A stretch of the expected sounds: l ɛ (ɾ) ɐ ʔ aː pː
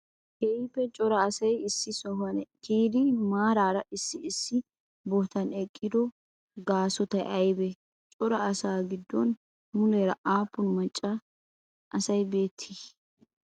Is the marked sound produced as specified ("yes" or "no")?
yes